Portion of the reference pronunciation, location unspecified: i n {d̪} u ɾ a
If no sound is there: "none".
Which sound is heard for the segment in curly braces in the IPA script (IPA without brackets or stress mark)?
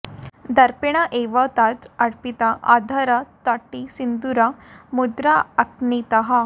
d̪